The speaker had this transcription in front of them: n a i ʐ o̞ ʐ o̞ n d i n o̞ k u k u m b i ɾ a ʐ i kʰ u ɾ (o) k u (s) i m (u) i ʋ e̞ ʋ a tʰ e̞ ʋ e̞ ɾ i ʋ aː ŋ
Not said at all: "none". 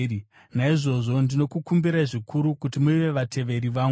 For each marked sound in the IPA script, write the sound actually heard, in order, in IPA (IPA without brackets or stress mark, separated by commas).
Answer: u, t, u